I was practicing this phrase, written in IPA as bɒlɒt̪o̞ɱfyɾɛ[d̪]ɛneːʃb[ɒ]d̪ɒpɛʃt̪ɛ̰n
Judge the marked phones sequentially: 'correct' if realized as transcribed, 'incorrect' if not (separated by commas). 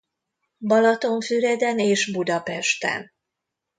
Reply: correct, incorrect